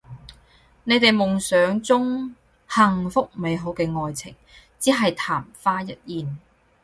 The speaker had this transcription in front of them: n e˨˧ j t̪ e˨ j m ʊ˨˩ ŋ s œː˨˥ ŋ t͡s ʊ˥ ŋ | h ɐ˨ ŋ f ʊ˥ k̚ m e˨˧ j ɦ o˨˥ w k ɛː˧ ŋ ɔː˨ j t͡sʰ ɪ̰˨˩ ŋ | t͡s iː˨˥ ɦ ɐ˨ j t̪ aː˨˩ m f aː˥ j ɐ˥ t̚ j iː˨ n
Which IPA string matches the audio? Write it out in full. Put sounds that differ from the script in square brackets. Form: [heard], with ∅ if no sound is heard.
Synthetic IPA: n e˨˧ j t̪ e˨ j m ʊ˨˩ ŋ s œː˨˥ ŋ t͡s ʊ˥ ŋ | h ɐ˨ ŋ f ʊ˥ k̚ m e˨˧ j ɦ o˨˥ w k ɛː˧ ŋ ɔː˨ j t͡sʰ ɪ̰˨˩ ŋ | t͡s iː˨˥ ɦ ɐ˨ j [t̪ʰ] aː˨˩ m f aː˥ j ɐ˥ t̚ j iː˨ n